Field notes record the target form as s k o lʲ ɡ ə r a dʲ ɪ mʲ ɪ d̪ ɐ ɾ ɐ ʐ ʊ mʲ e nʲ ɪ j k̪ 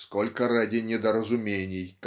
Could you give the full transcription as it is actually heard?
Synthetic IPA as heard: s k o lʲ k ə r a dʲ ɪ nʲ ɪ d̪ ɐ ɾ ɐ z ʊ mʲ e nʲ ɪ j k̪